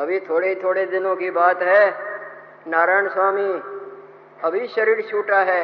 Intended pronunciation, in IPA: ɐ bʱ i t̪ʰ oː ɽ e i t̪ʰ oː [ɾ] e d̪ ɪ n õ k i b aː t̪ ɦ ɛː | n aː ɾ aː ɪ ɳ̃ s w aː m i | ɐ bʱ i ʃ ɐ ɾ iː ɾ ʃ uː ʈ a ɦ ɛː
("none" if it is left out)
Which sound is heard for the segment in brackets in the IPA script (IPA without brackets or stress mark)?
ɽ